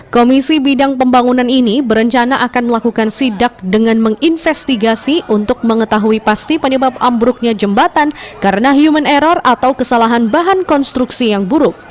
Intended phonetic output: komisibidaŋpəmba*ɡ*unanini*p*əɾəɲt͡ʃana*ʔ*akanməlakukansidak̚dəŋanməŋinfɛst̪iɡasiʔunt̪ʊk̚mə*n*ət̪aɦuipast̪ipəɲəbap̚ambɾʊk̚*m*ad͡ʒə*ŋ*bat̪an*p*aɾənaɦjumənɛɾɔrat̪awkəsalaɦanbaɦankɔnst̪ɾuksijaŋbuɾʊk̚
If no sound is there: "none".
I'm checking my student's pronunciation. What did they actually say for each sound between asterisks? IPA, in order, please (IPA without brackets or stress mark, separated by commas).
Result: ŋ, b, ʔ, ŋ, ɲ, m, k